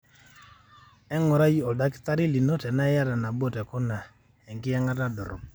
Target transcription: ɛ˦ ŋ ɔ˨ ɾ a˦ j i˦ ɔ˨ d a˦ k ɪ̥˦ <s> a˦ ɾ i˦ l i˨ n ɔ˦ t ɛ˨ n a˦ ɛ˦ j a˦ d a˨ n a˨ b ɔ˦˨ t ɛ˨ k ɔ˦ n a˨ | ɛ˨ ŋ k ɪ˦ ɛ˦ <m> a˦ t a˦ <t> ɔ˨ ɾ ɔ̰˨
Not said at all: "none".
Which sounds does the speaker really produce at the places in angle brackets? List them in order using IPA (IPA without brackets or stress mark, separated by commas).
t, ŋ, d